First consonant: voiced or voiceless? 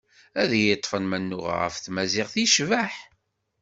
voiced